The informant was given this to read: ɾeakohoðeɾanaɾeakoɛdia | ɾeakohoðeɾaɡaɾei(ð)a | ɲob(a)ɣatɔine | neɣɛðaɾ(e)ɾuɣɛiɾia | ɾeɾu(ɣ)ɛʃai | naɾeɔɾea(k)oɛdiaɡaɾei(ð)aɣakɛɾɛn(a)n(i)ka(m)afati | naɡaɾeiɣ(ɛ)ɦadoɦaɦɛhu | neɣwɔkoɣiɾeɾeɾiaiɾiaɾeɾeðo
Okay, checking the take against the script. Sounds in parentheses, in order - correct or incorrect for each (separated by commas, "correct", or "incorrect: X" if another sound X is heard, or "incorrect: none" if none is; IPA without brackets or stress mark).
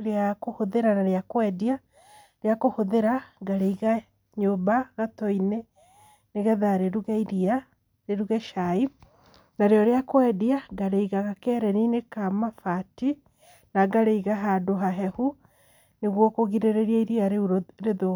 incorrect: ɣ, correct, correct, correct, correct, incorrect: ɣ, incorrect: i, incorrect: e, correct, incorrect: a